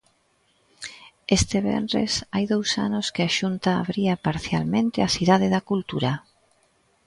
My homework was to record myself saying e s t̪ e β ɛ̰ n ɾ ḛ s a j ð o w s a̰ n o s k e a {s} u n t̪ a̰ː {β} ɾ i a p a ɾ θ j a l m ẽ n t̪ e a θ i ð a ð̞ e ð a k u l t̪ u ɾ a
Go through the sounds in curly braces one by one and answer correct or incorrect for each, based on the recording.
incorrect: ʃ, correct

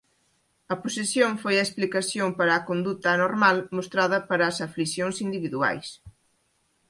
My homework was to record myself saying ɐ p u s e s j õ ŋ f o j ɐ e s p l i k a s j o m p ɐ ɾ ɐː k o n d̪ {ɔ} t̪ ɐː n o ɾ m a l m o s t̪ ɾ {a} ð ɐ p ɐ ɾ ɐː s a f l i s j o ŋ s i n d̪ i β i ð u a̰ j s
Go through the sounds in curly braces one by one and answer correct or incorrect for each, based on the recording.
incorrect: u, correct

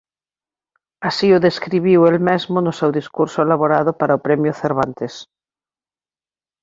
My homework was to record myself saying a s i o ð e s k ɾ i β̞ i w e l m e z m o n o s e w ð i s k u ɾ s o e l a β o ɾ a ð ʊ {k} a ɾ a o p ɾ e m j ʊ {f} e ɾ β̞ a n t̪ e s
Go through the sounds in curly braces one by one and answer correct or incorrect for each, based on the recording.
incorrect: p, incorrect: θ

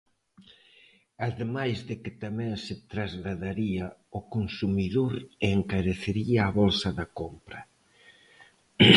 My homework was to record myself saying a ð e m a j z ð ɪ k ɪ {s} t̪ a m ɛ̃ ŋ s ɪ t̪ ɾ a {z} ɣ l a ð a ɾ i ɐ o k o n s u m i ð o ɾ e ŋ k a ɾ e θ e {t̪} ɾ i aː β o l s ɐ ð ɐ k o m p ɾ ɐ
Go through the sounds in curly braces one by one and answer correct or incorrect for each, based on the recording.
incorrect: none, correct, incorrect: none

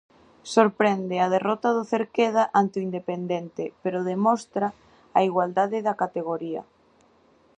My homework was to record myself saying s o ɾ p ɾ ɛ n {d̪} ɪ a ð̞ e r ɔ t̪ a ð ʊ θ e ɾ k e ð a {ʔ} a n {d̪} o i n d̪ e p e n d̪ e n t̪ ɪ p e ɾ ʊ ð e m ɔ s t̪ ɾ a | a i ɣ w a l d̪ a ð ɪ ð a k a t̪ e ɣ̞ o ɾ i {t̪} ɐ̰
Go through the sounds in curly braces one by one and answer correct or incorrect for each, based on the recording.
correct, correct, incorrect: t̪, incorrect: none

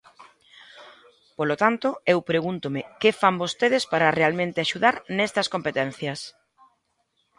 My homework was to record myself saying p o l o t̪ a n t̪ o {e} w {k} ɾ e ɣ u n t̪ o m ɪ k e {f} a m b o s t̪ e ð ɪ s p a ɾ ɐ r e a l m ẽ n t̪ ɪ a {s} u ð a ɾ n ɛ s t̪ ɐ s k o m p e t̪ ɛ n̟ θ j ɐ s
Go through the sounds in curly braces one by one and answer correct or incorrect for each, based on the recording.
correct, incorrect: p, correct, incorrect: ʃ

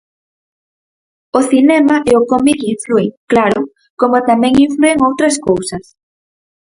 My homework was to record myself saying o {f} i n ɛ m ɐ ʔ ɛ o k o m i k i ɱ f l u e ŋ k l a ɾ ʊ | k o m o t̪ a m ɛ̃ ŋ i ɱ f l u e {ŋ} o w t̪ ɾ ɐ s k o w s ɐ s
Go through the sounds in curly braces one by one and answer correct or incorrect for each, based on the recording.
incorrect: θ, correct

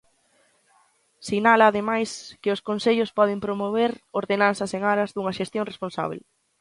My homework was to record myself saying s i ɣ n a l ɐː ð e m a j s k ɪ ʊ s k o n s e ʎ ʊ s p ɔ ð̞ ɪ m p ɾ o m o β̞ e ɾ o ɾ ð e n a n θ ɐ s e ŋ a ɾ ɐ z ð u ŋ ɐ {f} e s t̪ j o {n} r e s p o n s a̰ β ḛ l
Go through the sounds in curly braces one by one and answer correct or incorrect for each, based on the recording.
incorrect: ʃ, incorrect: ŋ

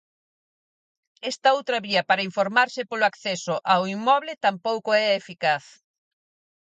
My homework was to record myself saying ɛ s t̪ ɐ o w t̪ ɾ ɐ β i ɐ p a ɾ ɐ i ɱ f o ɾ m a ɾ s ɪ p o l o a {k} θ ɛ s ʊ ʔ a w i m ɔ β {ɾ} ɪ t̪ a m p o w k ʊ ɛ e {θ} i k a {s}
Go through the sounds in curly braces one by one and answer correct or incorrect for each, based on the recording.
correct, incorrect: l, incorrect: f, incorrect: θ

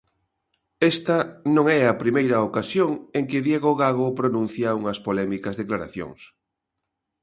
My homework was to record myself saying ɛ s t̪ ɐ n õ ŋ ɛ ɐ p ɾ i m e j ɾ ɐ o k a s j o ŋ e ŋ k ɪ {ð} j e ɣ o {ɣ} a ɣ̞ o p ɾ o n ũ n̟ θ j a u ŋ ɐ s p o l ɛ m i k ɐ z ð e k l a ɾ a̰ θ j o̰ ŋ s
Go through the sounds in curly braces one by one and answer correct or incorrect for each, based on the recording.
correct, correct

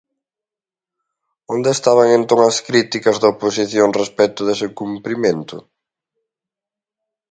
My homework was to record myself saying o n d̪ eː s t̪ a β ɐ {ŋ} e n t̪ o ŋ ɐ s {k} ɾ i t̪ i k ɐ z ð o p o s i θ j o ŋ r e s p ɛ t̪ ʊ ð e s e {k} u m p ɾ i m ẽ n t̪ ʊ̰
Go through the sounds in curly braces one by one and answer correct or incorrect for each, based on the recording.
correct, correct, correct

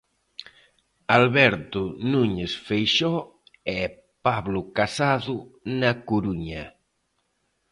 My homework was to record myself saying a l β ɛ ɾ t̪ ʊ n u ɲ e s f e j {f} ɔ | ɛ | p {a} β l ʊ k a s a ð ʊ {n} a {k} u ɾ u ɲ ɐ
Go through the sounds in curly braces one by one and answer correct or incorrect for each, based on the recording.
incorrect: ʃ, correct, correct, correct

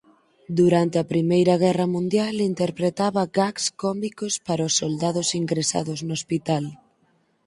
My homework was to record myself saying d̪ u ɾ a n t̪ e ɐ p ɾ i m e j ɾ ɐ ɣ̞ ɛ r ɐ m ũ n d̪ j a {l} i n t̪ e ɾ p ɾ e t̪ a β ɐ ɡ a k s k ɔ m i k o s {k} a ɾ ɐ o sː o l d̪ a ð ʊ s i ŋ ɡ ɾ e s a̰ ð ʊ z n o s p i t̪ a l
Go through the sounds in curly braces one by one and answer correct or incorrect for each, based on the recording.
correct, incorrect: p

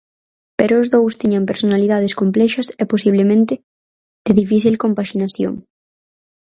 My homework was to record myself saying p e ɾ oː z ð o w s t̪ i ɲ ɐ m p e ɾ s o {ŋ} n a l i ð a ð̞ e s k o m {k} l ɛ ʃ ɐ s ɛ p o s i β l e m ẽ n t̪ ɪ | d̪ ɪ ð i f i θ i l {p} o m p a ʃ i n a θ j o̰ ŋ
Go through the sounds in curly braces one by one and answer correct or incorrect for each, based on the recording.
incorrect: none, incorrect: p, incorrect: k

